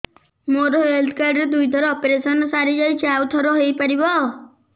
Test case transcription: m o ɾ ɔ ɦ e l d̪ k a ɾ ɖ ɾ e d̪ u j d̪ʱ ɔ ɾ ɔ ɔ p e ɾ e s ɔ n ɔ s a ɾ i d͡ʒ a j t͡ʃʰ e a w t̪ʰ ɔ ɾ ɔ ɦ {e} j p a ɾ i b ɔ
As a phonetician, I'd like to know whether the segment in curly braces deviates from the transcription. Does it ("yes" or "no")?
no